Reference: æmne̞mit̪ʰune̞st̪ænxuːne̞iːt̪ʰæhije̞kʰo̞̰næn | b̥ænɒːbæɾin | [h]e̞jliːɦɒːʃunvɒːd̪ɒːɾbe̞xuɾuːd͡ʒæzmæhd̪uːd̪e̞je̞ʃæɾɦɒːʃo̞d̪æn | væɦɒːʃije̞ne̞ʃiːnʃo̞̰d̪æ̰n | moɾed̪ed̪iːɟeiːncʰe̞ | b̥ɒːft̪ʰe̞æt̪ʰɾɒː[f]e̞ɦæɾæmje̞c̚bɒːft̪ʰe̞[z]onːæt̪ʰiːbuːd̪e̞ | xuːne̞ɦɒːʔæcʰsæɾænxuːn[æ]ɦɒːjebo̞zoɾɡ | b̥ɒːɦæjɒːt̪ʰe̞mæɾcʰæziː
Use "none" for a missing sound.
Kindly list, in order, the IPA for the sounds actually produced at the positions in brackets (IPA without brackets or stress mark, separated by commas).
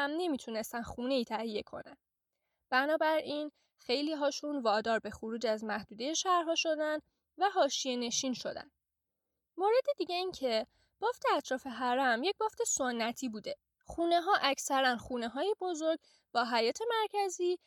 x, f, s, e